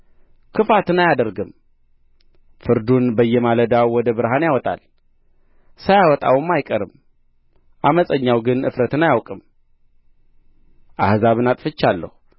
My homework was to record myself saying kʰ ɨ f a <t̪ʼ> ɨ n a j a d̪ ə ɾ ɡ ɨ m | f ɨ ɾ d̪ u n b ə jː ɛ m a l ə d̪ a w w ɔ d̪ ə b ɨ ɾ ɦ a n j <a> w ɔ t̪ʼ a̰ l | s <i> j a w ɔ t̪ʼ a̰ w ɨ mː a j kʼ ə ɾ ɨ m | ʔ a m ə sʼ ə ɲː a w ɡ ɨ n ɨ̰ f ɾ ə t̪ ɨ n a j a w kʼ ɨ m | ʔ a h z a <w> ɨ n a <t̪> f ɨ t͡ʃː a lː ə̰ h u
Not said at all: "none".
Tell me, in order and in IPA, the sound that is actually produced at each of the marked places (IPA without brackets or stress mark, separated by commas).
t̪, a, a, β, t̪ʼ